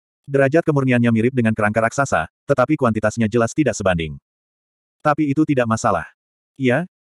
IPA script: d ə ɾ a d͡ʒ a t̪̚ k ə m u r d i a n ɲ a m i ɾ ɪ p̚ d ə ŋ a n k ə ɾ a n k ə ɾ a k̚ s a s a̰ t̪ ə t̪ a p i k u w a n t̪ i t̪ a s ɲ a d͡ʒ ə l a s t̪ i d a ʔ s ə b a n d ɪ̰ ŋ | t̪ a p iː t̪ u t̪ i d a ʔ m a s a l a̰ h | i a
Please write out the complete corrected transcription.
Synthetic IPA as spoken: d ə ɾ a d͡ʒ a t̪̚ k ə m u r n i a n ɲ a m i ɾ ɪ p̚ d ə ŋ a n k ə ɾ a ŋ k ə ɾ a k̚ s a s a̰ t̪ ə t̪ a p i k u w a n t̪ i t̪ a s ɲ a d͡ʒ ə l a s t̪ i d a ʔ s ə b a n d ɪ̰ ŋ | t̪ a p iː t̪ u t̪ i d a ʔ m a s a l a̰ h | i a